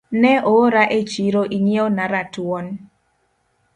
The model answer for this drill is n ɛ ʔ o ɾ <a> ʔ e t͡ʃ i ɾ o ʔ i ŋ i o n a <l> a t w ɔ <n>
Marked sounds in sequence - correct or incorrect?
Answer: correct, incorrect: ɾ, correct

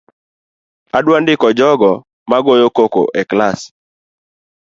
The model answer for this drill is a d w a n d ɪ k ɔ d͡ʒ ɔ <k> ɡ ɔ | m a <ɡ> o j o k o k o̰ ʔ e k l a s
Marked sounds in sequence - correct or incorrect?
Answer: incorrect: none, correct

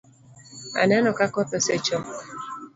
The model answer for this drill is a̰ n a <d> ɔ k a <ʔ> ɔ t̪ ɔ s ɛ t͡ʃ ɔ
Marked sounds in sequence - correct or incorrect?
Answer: incorrect: n, incorrect: k

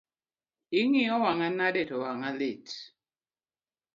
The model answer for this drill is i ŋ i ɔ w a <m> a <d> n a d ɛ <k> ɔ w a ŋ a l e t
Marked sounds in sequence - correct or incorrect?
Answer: incorrect: ŋ, incorrect: none, incorrect: t

